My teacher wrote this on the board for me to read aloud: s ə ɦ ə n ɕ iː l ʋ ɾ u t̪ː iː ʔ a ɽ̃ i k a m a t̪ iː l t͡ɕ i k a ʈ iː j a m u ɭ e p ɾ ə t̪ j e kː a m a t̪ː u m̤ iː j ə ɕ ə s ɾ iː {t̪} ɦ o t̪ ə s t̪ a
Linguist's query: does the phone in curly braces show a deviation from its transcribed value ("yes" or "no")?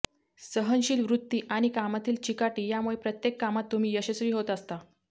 yes